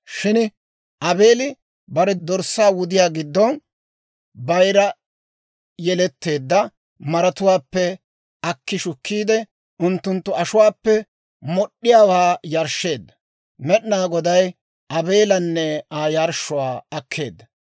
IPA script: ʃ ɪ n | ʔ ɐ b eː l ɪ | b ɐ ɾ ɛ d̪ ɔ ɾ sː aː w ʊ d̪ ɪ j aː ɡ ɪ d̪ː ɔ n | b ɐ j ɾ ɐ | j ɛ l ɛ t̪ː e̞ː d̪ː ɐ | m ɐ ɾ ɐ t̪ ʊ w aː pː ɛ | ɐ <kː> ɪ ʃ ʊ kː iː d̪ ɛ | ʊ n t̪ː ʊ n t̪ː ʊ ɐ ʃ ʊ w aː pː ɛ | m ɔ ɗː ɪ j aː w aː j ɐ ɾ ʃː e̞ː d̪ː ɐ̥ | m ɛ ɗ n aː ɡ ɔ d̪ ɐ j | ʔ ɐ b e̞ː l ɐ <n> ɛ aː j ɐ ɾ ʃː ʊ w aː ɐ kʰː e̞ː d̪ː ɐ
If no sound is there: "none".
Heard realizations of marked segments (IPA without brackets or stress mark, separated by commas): kː, nː